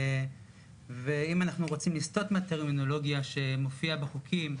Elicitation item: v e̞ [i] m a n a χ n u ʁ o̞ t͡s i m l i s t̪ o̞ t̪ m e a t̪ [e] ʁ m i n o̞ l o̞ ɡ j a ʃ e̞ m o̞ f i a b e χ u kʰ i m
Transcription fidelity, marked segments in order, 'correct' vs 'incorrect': correct, correct

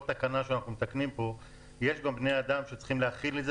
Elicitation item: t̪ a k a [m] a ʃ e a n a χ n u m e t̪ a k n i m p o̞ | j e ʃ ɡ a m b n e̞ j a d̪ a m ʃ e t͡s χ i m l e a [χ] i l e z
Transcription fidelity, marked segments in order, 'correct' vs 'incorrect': incorrect: n, correct

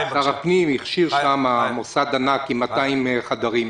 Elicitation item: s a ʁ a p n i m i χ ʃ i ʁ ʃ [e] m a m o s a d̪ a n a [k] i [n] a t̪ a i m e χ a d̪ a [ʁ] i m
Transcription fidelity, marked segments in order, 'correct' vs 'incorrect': incorrect: a, correct, incorrect: m, correct

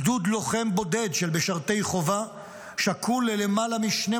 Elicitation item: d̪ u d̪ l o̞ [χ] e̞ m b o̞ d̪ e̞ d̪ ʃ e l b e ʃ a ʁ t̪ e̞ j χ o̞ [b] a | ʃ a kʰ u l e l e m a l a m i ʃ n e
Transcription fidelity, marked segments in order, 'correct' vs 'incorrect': correct, incorrect: v

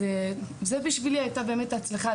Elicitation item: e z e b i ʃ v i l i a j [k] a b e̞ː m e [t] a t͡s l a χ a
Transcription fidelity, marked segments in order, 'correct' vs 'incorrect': incorrect: t, correct

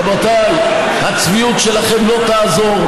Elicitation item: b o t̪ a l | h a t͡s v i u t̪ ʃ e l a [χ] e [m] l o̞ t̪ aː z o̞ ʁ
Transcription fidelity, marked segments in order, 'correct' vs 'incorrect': correct, correct

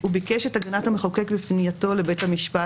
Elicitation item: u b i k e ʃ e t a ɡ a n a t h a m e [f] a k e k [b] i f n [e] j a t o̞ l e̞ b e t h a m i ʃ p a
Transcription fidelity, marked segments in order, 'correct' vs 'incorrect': incorrect: χ, correct, incorrect: i

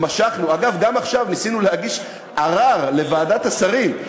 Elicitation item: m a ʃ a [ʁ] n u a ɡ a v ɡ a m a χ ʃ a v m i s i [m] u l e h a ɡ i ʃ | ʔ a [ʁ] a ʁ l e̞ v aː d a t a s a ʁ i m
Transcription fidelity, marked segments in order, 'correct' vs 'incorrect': incorrect: χ, incorrect: n, correct

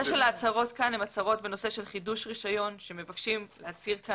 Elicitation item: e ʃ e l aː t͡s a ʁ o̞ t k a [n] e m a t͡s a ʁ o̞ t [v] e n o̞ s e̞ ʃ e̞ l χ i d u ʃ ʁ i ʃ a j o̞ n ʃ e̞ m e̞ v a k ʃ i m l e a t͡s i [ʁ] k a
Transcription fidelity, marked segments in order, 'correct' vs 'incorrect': correct, incorrect: b, correct

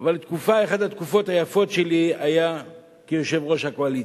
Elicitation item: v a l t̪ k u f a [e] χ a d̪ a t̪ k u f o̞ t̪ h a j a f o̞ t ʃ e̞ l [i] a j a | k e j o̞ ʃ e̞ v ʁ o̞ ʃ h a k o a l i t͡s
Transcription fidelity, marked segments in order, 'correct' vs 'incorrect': correct, correct

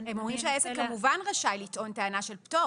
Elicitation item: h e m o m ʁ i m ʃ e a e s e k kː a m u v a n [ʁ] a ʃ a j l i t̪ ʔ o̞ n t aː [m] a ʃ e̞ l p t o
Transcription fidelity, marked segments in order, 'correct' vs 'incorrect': correct, incorrect: n

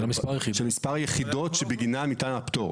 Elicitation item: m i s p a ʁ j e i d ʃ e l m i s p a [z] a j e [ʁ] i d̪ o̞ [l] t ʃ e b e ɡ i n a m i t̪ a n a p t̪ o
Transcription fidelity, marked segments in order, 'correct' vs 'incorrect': incorrect: ʁ, incorrect: χ, incorrect: none

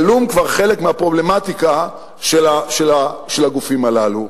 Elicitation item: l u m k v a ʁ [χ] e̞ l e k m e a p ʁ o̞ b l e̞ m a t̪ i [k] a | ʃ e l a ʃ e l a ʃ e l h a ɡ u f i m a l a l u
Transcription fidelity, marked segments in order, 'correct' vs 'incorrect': correct, correct

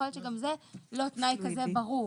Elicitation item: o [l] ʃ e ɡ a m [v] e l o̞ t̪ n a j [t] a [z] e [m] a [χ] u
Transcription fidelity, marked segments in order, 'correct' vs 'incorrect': correct, incorrect: z, incorrect: k, correct, incorrect: b, incorrect: ʁ

